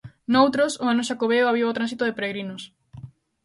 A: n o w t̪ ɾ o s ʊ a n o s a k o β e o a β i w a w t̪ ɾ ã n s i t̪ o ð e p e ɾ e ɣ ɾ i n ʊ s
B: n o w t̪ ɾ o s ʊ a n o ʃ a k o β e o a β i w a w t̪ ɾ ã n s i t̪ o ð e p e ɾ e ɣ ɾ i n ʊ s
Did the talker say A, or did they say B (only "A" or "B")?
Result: B